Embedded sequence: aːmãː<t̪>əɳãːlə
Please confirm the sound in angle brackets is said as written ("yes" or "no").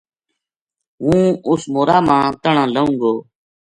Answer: yes